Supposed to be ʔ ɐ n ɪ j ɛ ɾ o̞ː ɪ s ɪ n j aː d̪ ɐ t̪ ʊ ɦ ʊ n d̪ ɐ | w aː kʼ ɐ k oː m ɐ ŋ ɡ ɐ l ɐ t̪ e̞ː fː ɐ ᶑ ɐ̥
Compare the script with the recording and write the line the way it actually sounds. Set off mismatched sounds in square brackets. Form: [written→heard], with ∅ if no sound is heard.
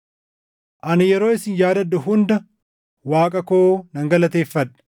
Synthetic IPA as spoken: ʔ ɐ n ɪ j ɛ ɾ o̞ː ɪ s ɪ n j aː d̪ ɐ [t̪→d̪] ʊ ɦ ʊ n d̪ ɐ | w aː kʼ ɐ k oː [m→n] ɐ ŋ ɡ ɐ l ɐ t̪ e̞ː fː ɐ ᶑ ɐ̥